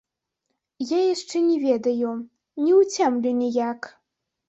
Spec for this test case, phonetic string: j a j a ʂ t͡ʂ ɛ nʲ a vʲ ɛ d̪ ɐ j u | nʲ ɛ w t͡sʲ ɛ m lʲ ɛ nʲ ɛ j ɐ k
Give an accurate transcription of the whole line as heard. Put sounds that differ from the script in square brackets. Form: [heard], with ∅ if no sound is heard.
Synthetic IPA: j a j a ʂ t͡ʂ ɛ nʲ [ɛ] vʲ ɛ d̪ ɐ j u | nʲ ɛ w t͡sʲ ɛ m lʲ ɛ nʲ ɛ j [a] k